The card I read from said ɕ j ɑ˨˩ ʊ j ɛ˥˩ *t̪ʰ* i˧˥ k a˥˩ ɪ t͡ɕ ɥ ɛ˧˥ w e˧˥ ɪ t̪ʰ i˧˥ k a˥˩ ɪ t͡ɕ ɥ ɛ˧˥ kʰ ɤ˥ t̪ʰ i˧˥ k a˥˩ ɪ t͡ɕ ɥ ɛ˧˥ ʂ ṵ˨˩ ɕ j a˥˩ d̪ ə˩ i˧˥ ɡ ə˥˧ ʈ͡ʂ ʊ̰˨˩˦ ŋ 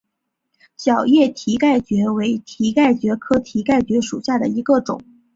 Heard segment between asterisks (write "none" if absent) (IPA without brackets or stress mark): t̪ʰ